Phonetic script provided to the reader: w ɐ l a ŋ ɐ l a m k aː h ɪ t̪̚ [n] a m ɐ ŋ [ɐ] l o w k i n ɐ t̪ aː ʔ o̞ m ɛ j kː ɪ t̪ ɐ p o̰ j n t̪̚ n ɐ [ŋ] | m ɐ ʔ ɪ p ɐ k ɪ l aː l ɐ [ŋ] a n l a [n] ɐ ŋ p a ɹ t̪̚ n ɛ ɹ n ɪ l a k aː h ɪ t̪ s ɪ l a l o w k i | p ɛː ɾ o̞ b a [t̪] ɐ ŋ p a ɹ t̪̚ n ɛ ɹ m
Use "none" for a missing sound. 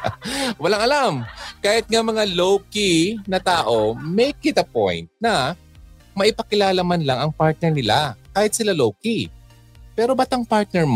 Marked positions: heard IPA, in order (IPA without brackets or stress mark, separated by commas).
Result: ŋ, a, none, m, ŋ, t̪